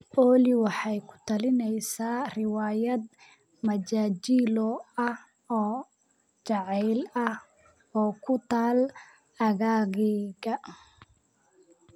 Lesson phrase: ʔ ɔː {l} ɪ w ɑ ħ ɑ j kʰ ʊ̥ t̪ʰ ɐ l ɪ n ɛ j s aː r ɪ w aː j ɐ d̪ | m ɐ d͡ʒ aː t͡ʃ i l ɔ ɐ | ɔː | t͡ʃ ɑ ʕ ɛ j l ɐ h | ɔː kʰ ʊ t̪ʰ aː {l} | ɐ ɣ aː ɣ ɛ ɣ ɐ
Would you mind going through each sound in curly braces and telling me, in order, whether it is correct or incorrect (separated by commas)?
correct, correct